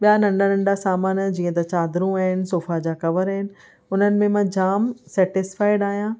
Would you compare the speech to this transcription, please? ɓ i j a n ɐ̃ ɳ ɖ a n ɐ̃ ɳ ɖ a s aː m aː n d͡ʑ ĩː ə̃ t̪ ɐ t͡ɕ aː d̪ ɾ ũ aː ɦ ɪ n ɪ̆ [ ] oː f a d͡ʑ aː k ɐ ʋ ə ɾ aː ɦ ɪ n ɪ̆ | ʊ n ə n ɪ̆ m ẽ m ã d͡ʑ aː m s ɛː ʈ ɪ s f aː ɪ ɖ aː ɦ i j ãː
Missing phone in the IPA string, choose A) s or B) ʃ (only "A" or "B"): A